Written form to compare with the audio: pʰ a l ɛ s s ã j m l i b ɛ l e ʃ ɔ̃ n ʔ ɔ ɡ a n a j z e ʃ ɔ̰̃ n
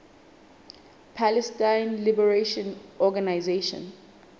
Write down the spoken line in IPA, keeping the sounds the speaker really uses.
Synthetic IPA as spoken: pʰ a l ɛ s t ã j n l i b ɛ ɹ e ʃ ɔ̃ n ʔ ɔ ɡ a n a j z e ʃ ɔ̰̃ n